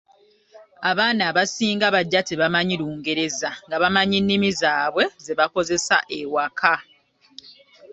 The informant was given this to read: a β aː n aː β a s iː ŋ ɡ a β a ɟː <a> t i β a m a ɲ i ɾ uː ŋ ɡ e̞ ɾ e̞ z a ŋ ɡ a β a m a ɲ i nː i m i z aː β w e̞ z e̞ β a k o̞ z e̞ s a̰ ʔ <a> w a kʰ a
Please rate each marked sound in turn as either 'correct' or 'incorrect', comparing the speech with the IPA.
correct, incorrect: e

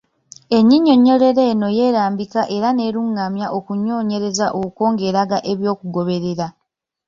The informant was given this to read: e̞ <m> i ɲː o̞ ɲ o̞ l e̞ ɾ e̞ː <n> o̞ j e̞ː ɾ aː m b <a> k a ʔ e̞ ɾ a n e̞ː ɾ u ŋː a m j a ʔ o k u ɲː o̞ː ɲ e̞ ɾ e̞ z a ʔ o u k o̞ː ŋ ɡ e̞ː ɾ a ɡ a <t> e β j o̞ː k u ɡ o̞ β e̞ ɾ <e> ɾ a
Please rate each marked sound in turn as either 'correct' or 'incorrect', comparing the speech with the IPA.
incorrect: ɲ, correct, incorrect: i, incorrect: ʔ, correct

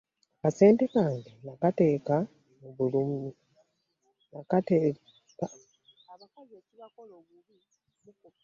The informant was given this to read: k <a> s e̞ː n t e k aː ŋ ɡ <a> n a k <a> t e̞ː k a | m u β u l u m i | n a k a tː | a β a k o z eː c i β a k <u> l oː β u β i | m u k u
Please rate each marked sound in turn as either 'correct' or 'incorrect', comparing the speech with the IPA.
correct, incorrect: e, correct, incorrect: o

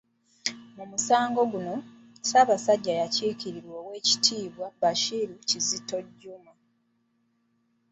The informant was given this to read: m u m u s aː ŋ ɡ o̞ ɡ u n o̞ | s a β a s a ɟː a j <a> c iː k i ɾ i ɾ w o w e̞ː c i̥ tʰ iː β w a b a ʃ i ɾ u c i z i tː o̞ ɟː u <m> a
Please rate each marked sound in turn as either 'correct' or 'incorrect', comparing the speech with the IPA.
correct, correct

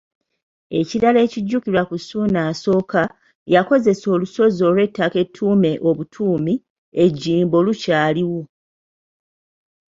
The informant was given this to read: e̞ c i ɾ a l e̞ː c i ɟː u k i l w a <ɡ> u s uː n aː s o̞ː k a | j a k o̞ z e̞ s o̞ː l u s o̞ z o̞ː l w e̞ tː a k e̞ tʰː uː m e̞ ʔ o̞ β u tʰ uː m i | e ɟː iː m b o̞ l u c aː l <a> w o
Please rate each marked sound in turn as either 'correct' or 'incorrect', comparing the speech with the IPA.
incorrect: k, incorrect: i

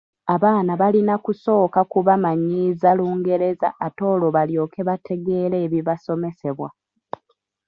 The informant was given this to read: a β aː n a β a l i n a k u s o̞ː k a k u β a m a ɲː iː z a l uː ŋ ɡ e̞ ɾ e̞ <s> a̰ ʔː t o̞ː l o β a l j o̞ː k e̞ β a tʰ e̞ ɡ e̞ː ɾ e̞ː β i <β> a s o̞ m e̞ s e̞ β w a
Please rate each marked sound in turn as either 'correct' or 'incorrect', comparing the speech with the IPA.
incorrect: z, correct

